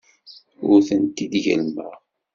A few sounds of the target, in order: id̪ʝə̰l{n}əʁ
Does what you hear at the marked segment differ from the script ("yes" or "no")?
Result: yes